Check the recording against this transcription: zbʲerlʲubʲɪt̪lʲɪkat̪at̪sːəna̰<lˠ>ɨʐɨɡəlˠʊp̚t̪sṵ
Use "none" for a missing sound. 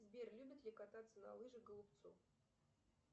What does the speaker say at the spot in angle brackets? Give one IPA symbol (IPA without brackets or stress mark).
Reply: lˠ